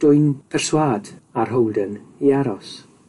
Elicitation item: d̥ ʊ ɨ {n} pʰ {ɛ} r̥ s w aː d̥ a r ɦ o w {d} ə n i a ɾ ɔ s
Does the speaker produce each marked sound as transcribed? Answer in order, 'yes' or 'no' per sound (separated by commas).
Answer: yes, yes, yes